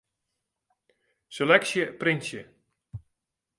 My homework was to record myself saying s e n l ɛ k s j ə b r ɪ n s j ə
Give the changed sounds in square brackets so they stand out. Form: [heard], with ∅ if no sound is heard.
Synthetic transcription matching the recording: s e [∅] l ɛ k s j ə [p] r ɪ n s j ə